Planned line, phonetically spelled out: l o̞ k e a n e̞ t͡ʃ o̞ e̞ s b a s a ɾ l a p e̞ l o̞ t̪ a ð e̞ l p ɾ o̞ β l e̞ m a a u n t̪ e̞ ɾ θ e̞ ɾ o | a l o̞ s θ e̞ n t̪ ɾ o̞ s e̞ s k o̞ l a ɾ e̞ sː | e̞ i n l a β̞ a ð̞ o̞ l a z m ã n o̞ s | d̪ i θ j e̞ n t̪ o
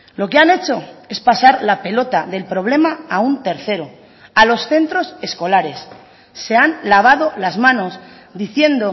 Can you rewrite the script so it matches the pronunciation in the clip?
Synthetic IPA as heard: l o̞ k e a n e̞ t͡ʃ o̞ e̞ s p a s a ɾ l a p e̞ l o̞ t̪ a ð e̞ l p ɾ o̞ β l e̞ m a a u n t̪ e̞ ɾ θ e̞ ɾ o | a l o̞ s θ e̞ n t̪ ɾ o̞ s e̞ s k o̞ l a ɾ e̞ sː | e̞ a n l a β̞ a ð̞ o̞ l a z m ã n o̞ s | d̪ i θ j e̞ n d̪ o